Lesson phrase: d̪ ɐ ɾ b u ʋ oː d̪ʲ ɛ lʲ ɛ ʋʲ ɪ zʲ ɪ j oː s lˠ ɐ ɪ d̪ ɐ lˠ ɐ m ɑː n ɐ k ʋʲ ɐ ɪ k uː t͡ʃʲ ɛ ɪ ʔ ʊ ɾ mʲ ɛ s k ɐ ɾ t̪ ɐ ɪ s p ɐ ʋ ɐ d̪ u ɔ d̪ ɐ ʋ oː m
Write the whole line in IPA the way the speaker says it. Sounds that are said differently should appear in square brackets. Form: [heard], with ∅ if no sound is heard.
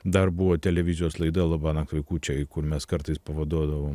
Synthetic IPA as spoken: d̪ ɐ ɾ b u ʋ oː [t̪ʲ] ɛ lʲ ɛ ʋʲ ɪ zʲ ɪ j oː s lˠ ɐ ɪ d̪ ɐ lˠ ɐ [b] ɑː n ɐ k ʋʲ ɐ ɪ k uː t͡ʃʲ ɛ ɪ [k] ʊ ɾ mʲ ɛ s k ɐ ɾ t̪ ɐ ɪ s p ɐ ʋ ɐ d̪ u ɔ d̪ ɐ ʋ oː m